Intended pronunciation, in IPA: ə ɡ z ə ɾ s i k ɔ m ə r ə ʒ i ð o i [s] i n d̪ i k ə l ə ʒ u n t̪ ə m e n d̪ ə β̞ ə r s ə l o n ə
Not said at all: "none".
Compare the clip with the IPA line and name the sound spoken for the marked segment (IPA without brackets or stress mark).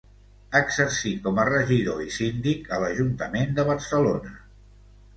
s